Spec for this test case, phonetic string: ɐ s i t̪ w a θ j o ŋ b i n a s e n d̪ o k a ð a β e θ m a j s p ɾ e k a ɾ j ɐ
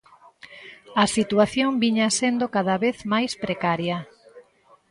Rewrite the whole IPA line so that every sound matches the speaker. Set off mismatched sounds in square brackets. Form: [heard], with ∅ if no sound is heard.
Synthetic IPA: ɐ s i t̪ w a θ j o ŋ b i [ɲ] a s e n d̪ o k a ð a β e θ m a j s p ɾ e k a ɾ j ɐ